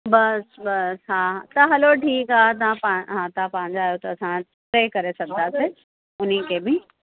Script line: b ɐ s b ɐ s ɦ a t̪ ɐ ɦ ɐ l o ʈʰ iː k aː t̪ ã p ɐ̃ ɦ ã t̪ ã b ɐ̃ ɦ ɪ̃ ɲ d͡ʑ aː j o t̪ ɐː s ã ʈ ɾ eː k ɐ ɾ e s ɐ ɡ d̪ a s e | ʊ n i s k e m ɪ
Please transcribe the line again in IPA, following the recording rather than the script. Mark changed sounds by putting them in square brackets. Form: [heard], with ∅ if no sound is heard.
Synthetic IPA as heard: b ɐ s b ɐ s ɦ a t̪ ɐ ɦ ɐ l o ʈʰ iː k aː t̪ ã p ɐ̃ ɦ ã t̪ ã [p] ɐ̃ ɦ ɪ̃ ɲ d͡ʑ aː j o t̪ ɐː s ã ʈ ɾ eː k ɐ ɾ e s ɐ ɡ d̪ a s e | ʊ n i [∅] k e [b] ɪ